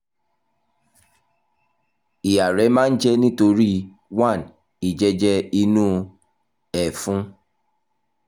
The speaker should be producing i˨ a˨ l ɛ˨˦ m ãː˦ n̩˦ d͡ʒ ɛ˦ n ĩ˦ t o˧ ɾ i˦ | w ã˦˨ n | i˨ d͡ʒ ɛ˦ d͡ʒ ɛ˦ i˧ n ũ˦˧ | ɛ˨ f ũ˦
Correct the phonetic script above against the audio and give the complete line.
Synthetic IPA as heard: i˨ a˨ ɾ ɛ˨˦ m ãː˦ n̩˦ d͡ʒ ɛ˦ n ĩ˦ t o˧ ɾ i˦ | w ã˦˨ n | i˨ d͡ʒ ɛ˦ d͡ʒ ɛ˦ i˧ n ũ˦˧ | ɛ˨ f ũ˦